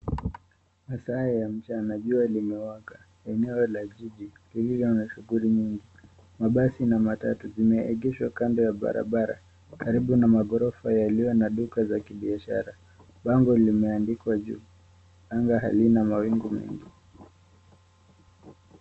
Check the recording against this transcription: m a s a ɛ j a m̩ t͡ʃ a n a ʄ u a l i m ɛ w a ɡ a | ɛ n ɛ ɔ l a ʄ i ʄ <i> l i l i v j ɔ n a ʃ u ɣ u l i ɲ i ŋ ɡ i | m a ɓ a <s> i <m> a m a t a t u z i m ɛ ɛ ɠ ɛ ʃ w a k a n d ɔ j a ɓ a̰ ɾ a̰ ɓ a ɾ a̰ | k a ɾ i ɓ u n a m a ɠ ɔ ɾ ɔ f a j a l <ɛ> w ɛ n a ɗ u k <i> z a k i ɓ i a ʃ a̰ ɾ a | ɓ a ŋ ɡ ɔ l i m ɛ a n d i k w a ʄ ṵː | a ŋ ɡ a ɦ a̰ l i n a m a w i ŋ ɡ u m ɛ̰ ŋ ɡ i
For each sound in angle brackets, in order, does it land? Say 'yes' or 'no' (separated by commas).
yes, yes, no, no, no